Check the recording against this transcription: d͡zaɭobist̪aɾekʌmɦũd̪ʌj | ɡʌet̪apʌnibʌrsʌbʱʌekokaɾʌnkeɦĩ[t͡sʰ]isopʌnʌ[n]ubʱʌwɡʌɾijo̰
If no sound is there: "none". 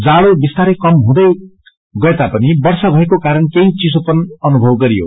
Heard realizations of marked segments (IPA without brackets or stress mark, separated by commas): t͡s, n